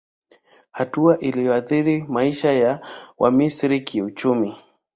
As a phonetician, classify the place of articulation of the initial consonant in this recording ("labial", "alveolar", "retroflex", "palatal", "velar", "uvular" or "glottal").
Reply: glottal